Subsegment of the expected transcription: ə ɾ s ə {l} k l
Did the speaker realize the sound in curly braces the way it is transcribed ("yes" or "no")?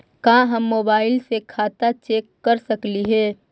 no